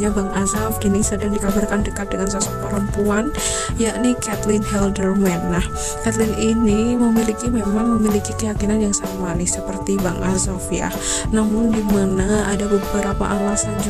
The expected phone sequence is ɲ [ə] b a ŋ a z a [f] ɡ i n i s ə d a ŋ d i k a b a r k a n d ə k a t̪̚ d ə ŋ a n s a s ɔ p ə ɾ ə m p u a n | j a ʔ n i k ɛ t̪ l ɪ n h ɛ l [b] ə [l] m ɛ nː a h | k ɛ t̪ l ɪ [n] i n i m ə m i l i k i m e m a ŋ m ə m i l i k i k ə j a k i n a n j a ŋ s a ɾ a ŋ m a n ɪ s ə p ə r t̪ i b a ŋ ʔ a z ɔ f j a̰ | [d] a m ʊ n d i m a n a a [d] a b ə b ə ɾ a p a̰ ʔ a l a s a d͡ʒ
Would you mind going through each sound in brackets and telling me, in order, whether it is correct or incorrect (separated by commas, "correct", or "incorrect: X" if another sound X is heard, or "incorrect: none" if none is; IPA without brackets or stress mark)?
incorrect: a, correct, incorrect: d, incorrect: r, correct, incorrect: n, correct